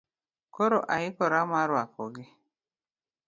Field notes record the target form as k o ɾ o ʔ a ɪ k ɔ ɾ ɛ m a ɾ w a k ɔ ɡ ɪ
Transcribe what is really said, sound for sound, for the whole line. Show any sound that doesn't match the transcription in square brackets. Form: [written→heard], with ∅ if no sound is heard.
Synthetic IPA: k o ɾ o ʔ a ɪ k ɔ ɾ [ɛ→a] m a ɾ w a k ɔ ɡ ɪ